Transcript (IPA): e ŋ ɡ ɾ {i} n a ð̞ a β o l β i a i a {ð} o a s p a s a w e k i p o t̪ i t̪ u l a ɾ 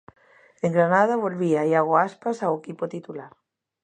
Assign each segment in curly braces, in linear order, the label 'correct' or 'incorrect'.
incorrect, incorrect

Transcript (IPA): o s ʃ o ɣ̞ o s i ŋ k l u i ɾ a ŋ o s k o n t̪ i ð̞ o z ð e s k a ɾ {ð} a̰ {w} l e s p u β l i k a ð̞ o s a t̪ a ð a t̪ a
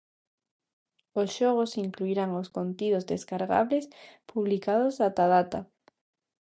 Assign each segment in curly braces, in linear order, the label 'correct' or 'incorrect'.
incorrect, incorrect

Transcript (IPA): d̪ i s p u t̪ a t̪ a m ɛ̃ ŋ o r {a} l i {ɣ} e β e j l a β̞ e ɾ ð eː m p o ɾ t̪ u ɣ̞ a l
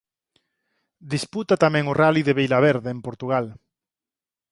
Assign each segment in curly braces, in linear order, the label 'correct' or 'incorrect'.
correct, incorrect

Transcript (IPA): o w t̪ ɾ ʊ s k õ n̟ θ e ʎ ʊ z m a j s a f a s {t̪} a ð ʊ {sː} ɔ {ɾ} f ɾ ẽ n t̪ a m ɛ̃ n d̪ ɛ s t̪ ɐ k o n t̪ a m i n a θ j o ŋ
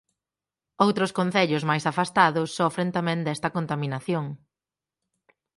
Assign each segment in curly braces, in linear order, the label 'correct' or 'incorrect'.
correct, correct, incorrect

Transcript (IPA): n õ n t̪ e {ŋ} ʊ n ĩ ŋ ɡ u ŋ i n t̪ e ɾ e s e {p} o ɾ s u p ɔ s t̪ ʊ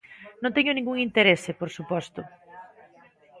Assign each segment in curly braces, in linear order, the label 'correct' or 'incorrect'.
incorrect, correct

